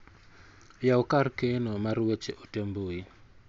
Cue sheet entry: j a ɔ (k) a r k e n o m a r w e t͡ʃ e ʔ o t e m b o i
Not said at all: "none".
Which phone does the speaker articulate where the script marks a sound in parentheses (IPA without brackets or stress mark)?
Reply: k